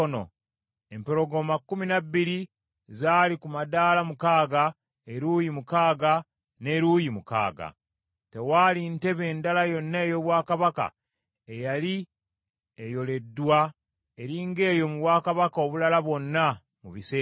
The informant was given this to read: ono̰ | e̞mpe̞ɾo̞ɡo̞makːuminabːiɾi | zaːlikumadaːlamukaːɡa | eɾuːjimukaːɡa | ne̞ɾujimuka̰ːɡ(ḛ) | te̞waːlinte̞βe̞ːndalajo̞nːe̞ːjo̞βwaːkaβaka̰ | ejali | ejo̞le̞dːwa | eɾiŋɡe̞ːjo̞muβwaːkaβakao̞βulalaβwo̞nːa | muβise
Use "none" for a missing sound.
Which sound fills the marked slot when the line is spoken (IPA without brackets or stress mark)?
a̰